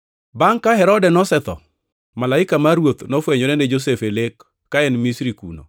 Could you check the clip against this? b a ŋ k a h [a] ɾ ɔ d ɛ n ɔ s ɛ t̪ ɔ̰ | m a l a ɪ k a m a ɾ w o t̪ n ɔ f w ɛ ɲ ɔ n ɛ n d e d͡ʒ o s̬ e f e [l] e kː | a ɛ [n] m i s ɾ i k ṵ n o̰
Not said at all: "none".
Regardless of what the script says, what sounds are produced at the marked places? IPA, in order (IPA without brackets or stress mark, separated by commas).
ɛ, l, n